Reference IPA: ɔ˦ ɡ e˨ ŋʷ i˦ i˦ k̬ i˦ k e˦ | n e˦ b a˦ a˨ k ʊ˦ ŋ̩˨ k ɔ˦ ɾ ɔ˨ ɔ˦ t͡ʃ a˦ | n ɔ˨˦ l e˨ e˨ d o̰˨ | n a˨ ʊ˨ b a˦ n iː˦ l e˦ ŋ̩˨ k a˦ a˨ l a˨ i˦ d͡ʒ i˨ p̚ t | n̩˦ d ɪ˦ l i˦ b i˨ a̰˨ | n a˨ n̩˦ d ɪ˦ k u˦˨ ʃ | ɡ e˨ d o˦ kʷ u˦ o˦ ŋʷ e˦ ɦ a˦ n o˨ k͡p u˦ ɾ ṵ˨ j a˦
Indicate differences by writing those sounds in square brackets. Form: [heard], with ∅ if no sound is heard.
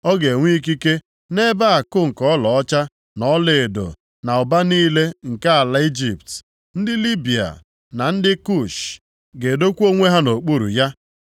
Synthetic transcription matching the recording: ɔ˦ ɡ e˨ ŋʷ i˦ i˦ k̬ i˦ k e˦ | n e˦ b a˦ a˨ k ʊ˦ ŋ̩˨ k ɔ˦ [l] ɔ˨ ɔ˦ t͡ʃ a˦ | n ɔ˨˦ l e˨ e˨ d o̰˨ | n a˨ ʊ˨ b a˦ n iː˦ l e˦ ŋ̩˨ k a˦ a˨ l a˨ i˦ d͡ʒ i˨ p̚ t | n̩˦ d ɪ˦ l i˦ b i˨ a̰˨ | n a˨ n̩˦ d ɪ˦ k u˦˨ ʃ | ɡ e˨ d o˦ kʷ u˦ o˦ ŋʷ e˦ ɦ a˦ n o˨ k͡p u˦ ɾ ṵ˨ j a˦